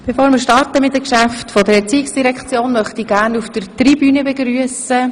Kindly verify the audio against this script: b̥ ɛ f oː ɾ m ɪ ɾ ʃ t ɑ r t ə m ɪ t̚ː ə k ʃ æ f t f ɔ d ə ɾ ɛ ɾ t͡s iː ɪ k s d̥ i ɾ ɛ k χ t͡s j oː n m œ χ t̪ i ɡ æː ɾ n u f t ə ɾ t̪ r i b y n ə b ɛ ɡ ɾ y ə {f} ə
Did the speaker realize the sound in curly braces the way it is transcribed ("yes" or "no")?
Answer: no